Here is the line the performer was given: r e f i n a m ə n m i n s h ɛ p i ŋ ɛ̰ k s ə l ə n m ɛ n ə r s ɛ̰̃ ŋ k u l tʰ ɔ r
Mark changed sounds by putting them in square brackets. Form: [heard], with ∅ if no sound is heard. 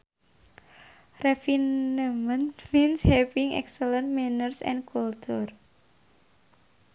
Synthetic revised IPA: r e f i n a m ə n m i n s h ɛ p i ŋ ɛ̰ k s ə l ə n m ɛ n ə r s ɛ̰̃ [n] k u l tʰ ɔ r